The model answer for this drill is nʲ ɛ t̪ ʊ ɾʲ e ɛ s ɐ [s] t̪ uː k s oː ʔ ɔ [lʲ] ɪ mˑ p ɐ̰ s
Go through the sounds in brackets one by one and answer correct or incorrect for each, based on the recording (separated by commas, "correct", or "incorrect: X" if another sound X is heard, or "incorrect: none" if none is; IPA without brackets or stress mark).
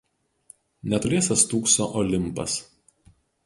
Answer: correct, correct